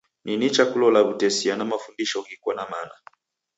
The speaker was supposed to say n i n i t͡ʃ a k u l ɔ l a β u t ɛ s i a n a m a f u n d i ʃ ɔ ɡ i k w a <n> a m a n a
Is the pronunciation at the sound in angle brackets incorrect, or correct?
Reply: correct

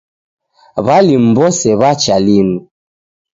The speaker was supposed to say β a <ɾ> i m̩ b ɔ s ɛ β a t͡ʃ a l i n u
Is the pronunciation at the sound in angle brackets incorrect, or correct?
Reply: incorrect: l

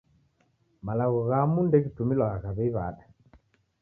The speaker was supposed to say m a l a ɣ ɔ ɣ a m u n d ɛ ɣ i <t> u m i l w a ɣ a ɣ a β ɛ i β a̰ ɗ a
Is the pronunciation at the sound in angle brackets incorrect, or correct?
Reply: correct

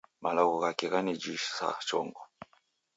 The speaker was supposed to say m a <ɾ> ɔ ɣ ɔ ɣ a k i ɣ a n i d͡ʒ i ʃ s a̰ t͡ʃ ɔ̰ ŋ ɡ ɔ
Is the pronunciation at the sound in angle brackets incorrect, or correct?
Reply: incorrect: l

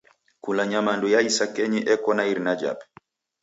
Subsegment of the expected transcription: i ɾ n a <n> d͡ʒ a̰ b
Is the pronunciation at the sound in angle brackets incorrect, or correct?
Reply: incorrect: none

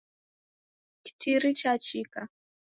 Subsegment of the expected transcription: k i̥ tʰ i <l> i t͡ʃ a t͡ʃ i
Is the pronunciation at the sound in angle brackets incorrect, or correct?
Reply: incorrect: ɾ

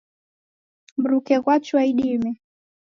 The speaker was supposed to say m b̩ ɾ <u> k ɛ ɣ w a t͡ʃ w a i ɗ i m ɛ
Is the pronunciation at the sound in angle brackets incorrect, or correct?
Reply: correct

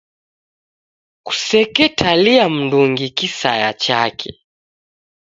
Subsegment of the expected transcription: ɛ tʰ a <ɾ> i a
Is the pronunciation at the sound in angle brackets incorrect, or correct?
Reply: incorrect: l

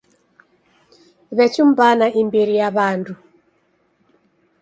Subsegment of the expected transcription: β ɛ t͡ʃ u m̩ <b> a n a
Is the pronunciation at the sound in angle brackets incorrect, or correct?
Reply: correct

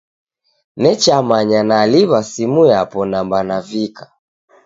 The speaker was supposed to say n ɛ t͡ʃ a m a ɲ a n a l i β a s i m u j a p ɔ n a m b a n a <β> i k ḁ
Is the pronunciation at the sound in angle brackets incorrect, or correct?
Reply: incorrect: v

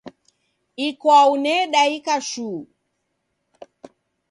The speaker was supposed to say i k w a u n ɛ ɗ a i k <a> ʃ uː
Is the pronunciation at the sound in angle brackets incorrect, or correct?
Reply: correct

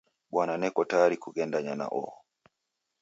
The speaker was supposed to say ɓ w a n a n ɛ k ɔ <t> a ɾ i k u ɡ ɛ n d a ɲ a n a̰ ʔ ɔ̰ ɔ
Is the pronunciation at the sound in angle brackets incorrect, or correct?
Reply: correct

